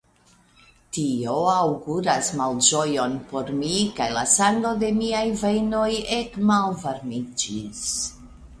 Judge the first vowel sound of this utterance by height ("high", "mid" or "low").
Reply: high